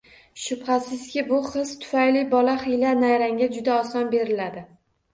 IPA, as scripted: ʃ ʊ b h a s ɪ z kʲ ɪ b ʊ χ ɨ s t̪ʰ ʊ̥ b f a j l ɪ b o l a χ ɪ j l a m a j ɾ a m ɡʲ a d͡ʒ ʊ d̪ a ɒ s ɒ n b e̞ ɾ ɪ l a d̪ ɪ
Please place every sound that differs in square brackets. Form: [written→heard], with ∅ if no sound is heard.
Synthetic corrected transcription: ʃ ʊ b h a s ɪ z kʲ ɪ b ʊ χ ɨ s t̪ʰ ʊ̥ [b→∅] f a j l ɪ b [o→ɒ] l a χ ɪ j l a [m→n] a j ɾ a [m→ŋ] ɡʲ a d͡ʒ ʊ d̪ a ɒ s ɒ n b e̞ ɾ ɪ l a d̪ ɪ